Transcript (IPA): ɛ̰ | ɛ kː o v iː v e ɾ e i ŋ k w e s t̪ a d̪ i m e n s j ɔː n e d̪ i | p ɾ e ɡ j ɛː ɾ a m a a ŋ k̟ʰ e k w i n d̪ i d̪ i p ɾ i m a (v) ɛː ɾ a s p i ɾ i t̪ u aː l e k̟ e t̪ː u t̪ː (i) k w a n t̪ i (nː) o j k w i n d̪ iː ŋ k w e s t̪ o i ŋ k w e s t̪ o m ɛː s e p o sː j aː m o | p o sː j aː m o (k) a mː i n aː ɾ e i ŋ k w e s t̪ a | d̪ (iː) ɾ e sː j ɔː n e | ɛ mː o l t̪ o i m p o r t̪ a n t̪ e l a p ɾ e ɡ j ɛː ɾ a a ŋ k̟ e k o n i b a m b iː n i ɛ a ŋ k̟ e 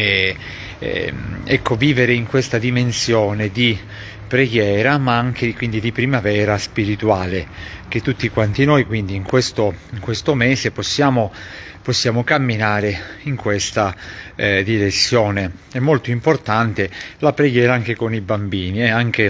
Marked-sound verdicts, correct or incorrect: correct, correct, incorrect: n, correct, incorrect: i

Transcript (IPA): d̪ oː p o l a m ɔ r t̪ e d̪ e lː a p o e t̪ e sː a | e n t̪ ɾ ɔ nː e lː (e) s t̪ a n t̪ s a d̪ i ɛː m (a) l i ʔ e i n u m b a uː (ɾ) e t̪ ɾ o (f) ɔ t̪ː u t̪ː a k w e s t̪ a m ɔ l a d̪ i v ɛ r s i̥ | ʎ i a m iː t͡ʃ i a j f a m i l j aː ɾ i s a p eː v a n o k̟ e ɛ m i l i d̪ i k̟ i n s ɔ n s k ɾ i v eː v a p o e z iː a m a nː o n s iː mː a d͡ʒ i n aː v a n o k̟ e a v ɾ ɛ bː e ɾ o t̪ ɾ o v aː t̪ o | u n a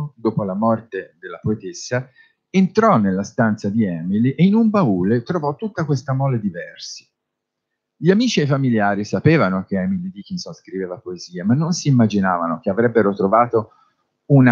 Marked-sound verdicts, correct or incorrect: incorrect: a, incorrect: i, incorrect: l, incorrect: v

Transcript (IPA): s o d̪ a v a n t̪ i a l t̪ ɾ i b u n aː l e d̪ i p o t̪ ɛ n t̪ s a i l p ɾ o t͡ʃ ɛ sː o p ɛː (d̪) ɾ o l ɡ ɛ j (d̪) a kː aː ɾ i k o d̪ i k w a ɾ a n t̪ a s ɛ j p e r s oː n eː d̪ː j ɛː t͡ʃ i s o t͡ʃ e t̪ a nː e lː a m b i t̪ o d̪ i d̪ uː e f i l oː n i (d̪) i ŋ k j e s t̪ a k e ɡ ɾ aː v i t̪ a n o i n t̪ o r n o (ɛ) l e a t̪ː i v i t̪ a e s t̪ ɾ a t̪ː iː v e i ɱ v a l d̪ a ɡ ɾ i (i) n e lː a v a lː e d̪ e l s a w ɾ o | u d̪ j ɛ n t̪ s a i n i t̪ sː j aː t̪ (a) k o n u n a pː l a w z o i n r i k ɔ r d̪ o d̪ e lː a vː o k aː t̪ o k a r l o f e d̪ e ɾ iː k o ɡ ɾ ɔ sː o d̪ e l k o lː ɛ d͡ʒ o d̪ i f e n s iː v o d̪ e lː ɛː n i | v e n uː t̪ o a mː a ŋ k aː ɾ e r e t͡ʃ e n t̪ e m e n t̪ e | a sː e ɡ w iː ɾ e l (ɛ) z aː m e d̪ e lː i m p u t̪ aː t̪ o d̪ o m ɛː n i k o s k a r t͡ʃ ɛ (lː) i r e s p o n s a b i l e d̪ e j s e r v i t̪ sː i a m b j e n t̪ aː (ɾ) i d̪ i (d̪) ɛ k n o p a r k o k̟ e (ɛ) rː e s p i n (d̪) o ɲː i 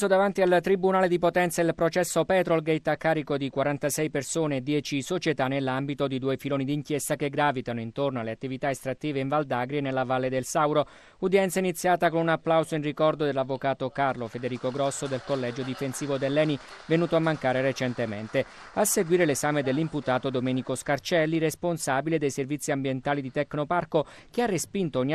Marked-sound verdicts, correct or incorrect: incorrect: t̪, incorrect: t̪, correct, incorrect: a, incorrect: e, correct, incorrect: e, correct, incorrect: l, incorrect: t̪, incorrect: a, incorrect: t̪

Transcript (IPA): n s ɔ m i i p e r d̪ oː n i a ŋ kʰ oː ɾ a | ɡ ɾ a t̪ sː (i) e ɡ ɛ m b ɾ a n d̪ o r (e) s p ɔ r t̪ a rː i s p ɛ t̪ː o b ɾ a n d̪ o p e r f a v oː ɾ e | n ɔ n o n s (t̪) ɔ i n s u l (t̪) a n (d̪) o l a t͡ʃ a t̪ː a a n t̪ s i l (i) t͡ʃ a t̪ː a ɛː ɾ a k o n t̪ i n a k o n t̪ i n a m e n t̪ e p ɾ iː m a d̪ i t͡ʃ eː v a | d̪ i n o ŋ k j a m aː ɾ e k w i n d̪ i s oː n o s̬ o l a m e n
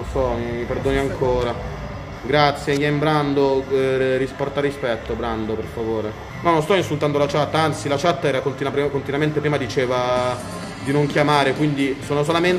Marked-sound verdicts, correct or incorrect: incorrect: j, incorrect: i, correct, correct, correct, incorrect: a

